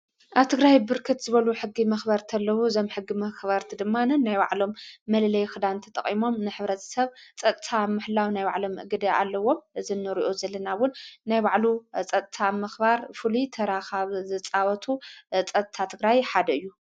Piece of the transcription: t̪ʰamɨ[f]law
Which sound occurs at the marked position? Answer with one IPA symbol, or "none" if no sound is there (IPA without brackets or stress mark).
ħ